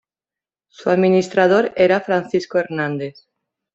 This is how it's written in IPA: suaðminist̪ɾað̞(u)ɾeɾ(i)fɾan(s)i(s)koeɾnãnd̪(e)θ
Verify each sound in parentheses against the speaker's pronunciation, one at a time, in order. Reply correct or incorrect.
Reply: incorrect, incorrect, incorrect, correct, correct

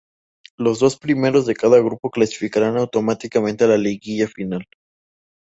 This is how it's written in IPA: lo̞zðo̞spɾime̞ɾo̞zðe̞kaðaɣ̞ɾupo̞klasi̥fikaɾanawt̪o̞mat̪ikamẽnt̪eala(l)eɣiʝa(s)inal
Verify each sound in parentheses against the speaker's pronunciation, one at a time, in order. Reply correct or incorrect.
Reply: correct, incorrect

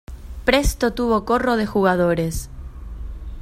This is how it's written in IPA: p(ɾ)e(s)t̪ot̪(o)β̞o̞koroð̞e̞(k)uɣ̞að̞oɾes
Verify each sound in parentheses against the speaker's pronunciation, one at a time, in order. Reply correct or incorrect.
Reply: correct, correct, incorrect, incorrect

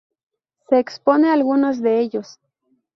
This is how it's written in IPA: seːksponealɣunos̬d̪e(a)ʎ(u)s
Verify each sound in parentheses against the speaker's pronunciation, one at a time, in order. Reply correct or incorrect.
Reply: incorrect, incorrect

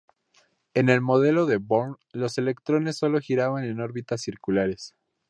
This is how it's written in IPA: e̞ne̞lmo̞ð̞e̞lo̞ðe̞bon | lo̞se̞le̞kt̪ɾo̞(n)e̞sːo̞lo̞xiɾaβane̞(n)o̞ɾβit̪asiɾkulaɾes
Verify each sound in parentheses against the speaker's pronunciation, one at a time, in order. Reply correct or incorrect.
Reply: correct, correct

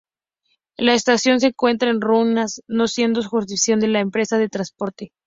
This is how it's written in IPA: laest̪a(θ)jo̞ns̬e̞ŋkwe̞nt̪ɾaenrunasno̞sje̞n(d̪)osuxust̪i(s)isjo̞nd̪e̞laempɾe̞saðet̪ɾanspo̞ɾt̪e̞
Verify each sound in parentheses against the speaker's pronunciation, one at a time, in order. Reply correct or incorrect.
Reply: incorrect, correct, incorrect

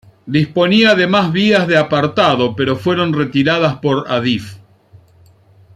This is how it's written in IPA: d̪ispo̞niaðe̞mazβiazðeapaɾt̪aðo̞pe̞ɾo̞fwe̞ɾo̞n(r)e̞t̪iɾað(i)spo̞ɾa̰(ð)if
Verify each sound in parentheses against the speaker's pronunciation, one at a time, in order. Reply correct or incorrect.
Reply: correct, incorrect, correct

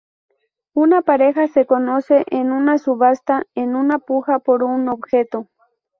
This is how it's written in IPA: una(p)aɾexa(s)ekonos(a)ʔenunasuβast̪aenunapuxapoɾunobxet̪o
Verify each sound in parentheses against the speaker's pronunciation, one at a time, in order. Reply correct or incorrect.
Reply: correct, correct, incorrect

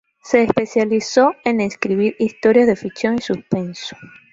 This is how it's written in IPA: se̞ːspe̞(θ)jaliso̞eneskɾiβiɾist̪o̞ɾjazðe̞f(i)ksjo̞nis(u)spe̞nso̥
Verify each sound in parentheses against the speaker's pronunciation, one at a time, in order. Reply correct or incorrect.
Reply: incorrect, correct, correct

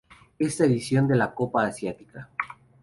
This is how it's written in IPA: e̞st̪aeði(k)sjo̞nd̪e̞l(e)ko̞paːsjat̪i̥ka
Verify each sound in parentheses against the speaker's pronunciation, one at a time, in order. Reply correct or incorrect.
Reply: incorrect, incorrect

